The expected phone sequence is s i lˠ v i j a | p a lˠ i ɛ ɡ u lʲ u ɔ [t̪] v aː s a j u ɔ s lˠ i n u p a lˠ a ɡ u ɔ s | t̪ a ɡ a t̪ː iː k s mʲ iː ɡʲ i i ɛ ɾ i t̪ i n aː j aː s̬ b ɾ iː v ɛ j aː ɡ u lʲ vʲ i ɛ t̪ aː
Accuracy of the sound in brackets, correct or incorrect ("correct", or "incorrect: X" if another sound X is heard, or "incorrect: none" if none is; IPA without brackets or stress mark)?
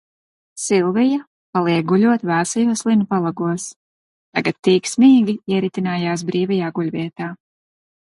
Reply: correct